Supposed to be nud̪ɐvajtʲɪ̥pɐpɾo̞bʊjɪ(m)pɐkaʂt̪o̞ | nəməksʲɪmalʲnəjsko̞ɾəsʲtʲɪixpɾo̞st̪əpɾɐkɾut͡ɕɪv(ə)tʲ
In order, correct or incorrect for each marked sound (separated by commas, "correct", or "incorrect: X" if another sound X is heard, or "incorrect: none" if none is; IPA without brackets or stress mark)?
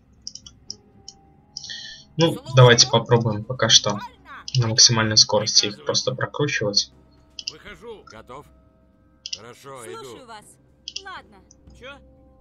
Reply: correct, correct